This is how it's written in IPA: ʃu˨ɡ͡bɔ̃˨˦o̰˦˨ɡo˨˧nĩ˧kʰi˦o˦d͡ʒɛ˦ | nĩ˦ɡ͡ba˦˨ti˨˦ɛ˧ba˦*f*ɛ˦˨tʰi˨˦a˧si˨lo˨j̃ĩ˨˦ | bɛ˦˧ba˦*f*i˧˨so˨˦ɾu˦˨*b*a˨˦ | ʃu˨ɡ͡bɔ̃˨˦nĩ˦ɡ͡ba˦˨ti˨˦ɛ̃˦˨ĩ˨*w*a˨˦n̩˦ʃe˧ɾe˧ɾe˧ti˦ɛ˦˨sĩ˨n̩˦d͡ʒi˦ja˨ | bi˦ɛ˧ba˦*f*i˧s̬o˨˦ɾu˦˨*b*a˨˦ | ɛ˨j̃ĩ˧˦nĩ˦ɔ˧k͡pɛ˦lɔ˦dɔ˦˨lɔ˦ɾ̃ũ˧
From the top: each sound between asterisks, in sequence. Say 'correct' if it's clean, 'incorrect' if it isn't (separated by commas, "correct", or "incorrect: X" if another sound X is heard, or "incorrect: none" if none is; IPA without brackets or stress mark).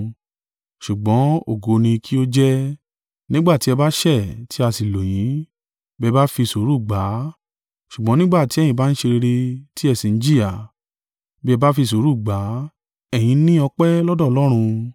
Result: incorrect: ʃ, correct, incorrect: ɡ͡b, incorrect: b, correct, incorrect: ɡ͡b